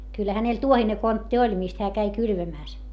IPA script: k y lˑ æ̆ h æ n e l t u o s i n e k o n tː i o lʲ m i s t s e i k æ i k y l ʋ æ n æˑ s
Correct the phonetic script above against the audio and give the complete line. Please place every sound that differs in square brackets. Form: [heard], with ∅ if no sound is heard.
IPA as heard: k y lˑ æ̆ h æ n e l t u o [h] i n e k o n tː i o lʲ m i s t [h] e [æ] k æ i k y l ʋ æ [m] æˑ s